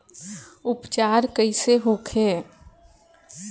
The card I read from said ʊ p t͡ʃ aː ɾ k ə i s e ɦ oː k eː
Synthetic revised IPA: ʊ p t͡ʃ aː ɾ k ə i s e ɦ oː kʰ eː

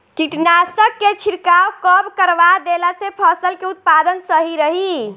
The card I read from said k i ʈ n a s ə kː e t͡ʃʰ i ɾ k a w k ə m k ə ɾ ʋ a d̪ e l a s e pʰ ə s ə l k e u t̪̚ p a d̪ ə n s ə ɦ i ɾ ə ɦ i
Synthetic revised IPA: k i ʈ n a s ə kː e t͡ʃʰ i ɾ k a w k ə b k ə ɾ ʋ a d̪ e l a s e pʰ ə s ə l k e u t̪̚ p a d̪ ə n s ə ɦ i ɾ ə ɦ i

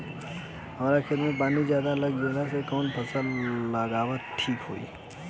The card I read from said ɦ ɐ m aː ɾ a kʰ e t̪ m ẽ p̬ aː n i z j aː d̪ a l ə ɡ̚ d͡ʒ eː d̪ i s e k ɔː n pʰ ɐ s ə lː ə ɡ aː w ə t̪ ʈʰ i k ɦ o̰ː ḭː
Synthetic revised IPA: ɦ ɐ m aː ɾ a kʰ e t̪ m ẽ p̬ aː n i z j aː d̪ a l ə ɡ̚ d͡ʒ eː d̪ a s e k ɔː n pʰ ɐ s ə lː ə ɡ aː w ə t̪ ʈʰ iː k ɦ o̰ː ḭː

